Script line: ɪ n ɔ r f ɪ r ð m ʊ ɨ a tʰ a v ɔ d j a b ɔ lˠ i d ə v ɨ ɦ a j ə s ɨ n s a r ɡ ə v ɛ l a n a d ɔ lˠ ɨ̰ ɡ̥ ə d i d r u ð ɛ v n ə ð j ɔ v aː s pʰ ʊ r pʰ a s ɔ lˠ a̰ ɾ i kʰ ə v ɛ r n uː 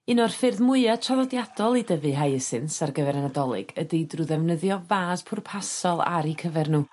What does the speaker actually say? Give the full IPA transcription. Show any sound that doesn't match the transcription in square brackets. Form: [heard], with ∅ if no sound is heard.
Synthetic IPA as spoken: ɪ n ɔ r f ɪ r ð m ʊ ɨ a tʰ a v ɔ d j a [d] ɔ lˠ i d ə v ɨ ɦ a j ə s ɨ n s a r ɡ ə v ɛ [ɾ] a n a d ɔ lˠ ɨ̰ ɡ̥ ə d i d r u ð ɛ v n ə ð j ɔ v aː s pʰ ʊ r pʰ a s ɔ lˠ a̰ ɾ i kʰ ə v ɛ r n uː